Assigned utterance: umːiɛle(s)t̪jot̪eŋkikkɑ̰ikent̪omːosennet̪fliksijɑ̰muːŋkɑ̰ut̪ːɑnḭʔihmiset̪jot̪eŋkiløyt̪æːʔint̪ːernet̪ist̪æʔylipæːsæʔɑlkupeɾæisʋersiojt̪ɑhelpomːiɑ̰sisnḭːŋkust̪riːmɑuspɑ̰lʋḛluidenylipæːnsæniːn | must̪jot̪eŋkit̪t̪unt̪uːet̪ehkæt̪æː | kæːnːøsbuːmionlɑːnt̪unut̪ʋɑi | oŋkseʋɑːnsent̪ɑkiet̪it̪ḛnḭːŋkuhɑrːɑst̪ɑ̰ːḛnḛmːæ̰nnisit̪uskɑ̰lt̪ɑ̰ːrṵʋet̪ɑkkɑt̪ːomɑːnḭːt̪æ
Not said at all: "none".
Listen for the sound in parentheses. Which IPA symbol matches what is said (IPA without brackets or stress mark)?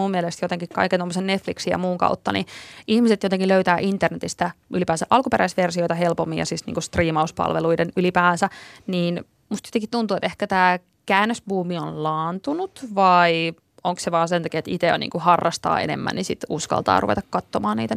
s